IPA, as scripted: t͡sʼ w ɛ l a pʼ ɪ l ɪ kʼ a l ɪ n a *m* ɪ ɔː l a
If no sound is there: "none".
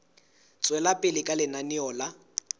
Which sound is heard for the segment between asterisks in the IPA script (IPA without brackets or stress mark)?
n